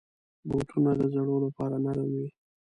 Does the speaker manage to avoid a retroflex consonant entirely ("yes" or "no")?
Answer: no